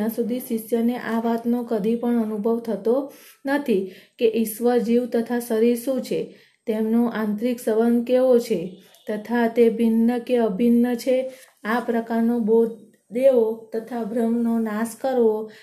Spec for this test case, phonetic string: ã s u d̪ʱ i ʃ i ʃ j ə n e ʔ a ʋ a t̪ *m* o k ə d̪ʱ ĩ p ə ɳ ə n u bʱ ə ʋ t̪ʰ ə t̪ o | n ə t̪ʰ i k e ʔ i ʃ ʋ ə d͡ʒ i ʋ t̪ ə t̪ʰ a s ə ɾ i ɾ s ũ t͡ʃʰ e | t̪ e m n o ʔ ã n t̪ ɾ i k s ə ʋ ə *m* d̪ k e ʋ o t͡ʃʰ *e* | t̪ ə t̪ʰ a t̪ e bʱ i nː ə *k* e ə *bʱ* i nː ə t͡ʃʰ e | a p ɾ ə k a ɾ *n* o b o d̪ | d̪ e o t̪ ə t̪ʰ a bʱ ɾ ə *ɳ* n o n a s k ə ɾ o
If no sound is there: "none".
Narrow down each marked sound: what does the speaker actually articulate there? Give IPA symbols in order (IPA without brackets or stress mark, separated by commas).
n, n, e, k, bʱ, n, m